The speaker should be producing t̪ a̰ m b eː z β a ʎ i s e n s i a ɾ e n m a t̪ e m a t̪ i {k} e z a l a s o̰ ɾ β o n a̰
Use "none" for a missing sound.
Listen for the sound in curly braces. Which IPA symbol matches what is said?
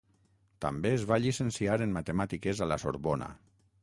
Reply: k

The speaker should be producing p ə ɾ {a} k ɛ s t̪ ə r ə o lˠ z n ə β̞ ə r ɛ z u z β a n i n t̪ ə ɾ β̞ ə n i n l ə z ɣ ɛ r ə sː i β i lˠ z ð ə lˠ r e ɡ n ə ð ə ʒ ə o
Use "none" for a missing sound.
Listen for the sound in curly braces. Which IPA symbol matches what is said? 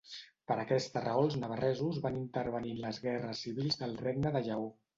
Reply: ə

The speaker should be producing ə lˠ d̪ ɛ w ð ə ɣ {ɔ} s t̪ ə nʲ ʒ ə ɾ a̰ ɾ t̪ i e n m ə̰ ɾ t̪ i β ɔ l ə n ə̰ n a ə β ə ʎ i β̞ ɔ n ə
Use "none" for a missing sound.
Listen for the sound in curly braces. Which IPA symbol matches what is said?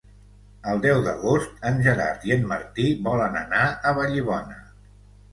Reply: o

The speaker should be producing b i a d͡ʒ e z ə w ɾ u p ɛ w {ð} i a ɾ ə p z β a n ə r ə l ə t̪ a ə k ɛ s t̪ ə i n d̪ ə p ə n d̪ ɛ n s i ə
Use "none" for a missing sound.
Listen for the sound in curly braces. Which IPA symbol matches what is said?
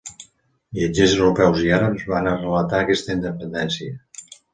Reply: z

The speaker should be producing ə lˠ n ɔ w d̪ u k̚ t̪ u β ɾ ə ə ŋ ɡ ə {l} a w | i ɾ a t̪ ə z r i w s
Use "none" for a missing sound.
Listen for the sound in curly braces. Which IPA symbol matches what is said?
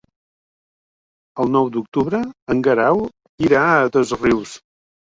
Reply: ɾ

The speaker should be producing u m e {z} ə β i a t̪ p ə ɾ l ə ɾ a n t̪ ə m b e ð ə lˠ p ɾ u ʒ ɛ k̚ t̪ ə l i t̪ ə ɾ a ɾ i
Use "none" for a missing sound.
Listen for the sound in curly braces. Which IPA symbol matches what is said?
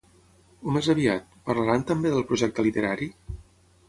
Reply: z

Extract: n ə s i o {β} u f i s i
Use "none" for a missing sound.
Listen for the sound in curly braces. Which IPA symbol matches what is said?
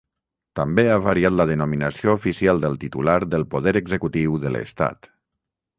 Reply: none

